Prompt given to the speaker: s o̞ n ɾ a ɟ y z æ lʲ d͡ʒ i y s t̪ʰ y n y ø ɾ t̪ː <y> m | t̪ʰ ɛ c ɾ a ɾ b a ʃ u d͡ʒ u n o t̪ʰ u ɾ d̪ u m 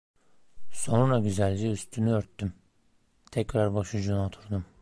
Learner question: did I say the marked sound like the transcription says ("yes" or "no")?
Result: yes